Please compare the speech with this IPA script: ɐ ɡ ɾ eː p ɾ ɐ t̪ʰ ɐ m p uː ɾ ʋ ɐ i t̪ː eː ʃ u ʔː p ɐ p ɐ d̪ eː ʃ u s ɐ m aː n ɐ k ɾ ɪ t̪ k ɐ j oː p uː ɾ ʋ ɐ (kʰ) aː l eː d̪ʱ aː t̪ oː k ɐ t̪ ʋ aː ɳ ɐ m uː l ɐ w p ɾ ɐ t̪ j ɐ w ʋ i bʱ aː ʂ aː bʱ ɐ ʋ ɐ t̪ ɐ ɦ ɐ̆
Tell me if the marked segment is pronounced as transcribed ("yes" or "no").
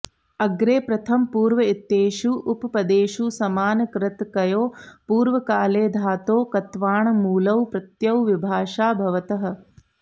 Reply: no